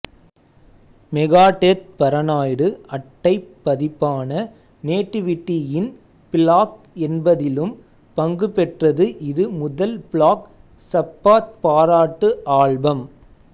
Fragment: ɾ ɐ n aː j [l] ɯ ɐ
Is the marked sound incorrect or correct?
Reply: incorrect